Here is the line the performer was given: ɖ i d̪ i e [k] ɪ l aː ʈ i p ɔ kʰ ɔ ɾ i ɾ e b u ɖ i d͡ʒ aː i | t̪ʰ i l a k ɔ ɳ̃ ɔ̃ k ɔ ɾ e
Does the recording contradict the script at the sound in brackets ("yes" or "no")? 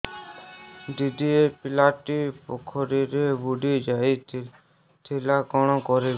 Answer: yes